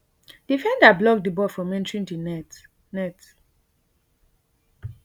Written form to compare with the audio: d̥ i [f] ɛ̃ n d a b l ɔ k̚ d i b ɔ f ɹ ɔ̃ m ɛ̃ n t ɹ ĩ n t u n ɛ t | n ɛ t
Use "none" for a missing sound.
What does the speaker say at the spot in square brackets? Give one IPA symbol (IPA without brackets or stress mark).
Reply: f